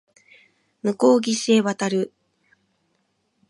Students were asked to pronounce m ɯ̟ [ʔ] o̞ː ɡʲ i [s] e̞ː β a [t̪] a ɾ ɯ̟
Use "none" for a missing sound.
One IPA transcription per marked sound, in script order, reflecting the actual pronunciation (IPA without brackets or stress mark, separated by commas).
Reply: k, s, t̪